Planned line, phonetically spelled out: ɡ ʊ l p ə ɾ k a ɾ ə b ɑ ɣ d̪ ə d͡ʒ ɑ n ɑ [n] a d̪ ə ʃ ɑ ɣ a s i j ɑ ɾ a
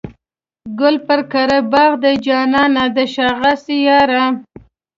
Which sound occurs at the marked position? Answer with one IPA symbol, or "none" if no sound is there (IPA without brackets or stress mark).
n